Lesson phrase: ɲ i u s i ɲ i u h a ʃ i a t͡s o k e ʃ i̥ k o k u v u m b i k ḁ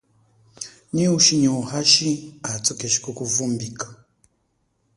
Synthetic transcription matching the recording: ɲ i u ʃ i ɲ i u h a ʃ i a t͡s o k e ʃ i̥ k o k u v u m b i k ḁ

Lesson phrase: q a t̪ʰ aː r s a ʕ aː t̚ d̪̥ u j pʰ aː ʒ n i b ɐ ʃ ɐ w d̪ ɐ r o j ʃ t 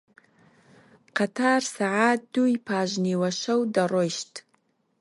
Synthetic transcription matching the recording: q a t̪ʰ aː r s a ʕ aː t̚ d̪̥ u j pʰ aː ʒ n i w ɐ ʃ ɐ w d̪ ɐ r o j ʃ t

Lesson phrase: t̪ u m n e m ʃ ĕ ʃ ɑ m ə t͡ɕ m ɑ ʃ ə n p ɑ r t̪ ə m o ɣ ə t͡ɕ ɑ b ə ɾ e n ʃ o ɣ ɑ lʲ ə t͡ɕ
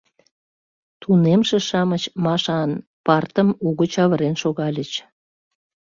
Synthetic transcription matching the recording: t̪ u n e m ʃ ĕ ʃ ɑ m ə t͡ɕ m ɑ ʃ ɑ n p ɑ r t̪ ə m u ɣ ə t͡ɕ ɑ β ə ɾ e n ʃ o ɣ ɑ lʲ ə t͡ɕ

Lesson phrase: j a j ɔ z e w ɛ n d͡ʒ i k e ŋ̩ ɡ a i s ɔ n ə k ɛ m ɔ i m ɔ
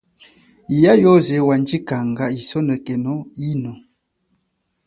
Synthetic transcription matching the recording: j a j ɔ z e w a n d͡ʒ i k a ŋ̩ ɡ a i s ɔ n ə k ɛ n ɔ i n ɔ

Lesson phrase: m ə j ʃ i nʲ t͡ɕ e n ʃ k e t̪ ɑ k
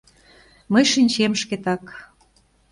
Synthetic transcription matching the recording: m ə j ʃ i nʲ t͡ɕ e m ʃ k e t̪ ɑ k

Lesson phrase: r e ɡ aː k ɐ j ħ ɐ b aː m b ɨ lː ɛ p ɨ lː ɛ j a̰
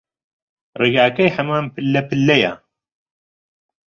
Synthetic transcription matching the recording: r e ɡ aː k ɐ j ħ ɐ m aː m p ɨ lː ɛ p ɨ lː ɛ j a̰

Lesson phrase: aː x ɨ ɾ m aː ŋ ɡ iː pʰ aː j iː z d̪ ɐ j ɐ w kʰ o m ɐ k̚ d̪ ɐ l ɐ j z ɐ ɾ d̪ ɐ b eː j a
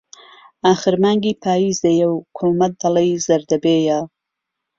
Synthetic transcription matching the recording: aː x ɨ ɾ m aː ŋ ɡ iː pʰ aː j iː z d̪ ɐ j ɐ w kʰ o m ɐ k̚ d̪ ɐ l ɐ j z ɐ ɾ d̪ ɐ b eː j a

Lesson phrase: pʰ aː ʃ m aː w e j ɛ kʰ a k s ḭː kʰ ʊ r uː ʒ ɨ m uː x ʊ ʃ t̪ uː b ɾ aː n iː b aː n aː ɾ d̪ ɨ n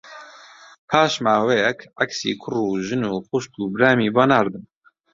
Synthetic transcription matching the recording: pʰ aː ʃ m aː w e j ɛ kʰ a k s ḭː kʰ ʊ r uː ʒ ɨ n uː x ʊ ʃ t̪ uː b ɾ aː m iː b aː n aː ɾ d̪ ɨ n

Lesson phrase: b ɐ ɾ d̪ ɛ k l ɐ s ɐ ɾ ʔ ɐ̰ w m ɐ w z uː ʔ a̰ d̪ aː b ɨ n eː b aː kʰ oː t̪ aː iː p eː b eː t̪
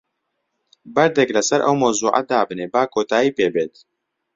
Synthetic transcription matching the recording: b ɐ ɾ d̪ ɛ k l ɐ s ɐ ɾ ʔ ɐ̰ w m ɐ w z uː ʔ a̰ d̪ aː b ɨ n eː b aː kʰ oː t̪ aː iː p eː b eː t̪

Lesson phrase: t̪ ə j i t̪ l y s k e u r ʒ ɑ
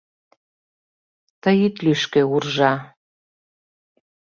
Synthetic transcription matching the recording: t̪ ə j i t̪ l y ʃ k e u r ʒ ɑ

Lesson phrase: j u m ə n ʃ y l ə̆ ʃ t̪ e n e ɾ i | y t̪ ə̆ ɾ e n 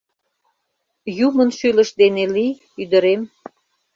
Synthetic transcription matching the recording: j u m ə n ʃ y l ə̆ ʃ d̪ e n e l i | y d̪ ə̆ ɾ e m

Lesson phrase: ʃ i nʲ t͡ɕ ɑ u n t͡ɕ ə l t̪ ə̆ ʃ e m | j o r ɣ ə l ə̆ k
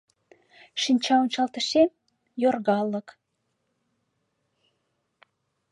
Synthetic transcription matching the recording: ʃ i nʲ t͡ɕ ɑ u n t͡ɕ ɑ l t̪ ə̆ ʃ e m | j o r ɣ ɑ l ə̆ k

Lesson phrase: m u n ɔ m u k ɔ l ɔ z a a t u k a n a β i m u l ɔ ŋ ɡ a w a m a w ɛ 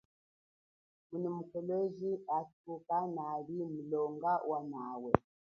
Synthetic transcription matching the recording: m u n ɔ m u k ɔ l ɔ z i a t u k a n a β i m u l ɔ ŋ ɡ a w a n a w ɛ

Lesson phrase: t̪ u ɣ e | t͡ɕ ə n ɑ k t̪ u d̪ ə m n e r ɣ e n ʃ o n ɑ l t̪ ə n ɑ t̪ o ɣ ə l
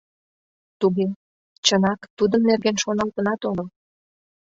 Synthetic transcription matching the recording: t̪ u ɣ e | t͡ɕ ə n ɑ k t̪ u d̪ ə m n e r ɣ e n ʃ o n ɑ l t̪ ə n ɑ t̪ o ɣ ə l

